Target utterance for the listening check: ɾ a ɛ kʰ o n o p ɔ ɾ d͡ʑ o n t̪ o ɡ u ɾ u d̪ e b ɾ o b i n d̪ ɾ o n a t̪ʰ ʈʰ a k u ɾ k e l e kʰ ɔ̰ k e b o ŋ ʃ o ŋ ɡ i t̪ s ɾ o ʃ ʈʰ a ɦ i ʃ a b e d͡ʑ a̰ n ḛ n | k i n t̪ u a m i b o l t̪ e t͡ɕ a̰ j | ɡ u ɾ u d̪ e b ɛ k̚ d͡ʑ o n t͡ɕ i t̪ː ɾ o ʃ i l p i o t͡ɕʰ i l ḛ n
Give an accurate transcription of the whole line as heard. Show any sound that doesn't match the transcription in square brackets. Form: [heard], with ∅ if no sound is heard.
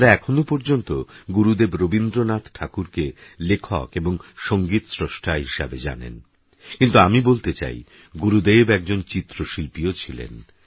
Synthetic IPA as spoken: ɾ a ɛ kʰ o n o p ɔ ɾ d͡ʑ o n t̪ o ɡ u ɾ u d̪ e b ɾ o b i n d̪ ɾ o n a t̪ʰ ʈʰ a k u ɾ k e l e kʰ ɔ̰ k e b o ŋ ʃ o ŋ ɡ i t̪ s ɾ o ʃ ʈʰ a ɦ i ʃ a b e d͡ʑ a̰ n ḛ n | k i n t̪ u a m i b o l t̪ e t͡ɕ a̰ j | ɡ u ɾ u d̪ e b ɛ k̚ d͡ʑ o n t͡ɕ i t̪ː ɾ o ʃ i l p i o t͡ɕʰ i l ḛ n